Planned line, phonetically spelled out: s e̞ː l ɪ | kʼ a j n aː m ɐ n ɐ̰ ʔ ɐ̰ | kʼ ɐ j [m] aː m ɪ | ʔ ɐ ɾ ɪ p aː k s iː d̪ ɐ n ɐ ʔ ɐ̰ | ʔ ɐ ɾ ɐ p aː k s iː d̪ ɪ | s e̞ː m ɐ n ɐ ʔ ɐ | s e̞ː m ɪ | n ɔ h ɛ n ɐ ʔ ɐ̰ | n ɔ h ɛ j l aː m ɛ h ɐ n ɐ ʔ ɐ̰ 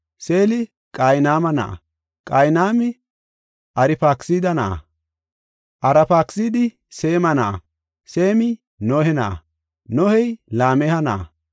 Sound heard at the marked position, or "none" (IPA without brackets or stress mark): n